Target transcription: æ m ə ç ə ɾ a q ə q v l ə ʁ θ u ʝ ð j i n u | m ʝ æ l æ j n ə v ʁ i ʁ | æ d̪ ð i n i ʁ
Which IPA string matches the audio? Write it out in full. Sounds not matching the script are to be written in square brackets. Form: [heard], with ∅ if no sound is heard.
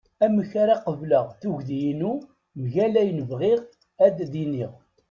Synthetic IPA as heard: æ m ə ç [a] ɾ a q ə [∅] v l ə ʁ θ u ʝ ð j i n u | m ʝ æ l æ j n ə v ʁ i ʁ | æ d̪ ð i n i ʁ

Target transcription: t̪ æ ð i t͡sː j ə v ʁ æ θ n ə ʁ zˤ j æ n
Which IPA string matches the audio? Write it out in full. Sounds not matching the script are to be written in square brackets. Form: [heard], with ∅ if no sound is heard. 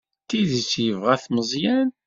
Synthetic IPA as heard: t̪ [i] ð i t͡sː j ə v ʁ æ θ [m] ə [∅] zˤ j æ n

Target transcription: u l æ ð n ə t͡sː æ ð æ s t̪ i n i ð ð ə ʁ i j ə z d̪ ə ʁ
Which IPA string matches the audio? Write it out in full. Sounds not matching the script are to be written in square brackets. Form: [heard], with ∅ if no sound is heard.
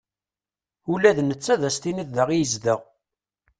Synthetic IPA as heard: u l æ ð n ə t͡sː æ ð æ s t̪ i n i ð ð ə ʁ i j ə z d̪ ə ʁ

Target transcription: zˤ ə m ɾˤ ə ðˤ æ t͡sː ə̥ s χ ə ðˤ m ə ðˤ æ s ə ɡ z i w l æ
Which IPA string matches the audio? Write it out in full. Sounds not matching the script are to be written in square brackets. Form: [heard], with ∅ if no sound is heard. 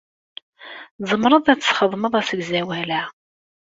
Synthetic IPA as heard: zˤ ə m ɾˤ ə ðˤ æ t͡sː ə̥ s χ ə ðˤ m ə ðˤ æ s ə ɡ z [æ] w l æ

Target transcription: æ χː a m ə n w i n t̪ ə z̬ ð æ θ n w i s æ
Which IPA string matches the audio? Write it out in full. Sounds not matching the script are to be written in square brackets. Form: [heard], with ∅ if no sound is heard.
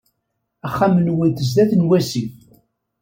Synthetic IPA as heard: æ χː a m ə n w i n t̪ ə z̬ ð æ θ n w [æ] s [i]

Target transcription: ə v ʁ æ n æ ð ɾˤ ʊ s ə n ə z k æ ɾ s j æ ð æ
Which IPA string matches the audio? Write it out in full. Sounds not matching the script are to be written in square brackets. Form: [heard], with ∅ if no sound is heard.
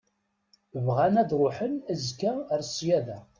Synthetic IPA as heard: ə v ʁ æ n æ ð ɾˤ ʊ [ħ] ə n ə z k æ ɾ s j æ ð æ

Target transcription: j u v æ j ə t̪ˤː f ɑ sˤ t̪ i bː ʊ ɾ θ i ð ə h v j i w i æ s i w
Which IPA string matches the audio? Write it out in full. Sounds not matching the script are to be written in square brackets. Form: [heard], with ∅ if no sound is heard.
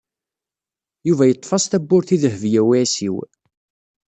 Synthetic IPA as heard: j u v æ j ə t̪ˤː f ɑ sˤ t̪ [æ] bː ʊ ɾ θ i ð ə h v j [æ] w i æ s i w

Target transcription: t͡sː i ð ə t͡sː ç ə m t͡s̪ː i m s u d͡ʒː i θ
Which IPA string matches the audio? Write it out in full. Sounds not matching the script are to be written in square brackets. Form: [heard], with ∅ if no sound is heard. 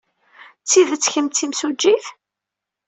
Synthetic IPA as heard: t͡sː i ð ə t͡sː ç ə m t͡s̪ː i m s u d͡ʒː i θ

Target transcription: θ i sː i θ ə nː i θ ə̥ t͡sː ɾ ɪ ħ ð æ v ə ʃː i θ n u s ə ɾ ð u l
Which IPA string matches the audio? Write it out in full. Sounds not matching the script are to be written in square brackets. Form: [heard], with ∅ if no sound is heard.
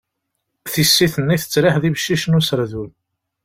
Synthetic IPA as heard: θ i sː i θ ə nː i θ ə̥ t͡sː ɾ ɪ ħ ð [i] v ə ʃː i [ʃ] n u s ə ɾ ð u l

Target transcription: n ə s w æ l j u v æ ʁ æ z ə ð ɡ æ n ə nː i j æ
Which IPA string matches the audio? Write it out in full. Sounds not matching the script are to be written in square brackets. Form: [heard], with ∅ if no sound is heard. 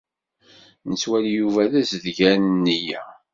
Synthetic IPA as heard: n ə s w æ l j u v æ [ð] æ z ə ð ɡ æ n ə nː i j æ

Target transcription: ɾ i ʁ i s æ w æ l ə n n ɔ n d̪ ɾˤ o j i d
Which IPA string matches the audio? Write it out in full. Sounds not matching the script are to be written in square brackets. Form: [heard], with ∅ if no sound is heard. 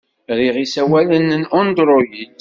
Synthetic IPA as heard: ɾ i ʁ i s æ w æ l ə n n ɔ n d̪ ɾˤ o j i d

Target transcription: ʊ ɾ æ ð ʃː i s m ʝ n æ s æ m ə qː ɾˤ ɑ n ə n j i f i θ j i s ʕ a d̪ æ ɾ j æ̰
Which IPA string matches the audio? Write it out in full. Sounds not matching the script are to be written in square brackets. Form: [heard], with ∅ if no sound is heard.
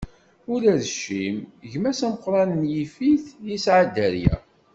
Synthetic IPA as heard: ʊ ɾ æ ð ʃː i [∅] m ʝ [m] æ s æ m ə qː ɾˤ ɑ n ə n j i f i θ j i s ʕ a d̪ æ ɾ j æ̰

